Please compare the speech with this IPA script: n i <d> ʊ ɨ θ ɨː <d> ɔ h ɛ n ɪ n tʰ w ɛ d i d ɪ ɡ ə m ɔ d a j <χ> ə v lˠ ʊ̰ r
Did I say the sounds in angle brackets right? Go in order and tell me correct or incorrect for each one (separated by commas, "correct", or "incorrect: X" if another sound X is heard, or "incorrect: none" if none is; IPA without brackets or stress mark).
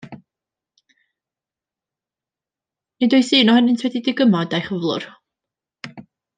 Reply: correct, incorrect: n, correct